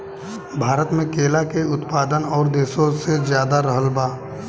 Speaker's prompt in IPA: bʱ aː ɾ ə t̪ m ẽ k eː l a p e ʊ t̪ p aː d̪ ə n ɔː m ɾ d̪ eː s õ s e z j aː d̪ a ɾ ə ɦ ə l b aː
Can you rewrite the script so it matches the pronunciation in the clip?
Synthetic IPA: bʱ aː ɾ ə t̪ m ẽ k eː l a k e ʊ t̪ p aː d̪ ə n ɔː ɾ d̪ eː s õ s e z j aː d̪ a ɾ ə ɦ ə l b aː